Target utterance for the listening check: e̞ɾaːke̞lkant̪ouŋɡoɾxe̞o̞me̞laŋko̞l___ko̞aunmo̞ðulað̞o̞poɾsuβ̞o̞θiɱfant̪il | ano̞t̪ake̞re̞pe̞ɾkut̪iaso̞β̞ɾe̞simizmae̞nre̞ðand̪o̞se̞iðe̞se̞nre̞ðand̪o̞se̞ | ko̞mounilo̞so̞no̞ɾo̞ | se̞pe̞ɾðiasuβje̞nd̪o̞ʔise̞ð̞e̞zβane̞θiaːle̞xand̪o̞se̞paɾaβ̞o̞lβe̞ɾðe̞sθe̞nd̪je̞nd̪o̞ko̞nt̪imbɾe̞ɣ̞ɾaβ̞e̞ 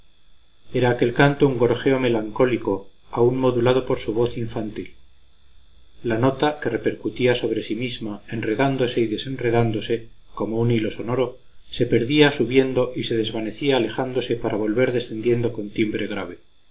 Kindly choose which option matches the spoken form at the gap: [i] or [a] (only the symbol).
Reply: i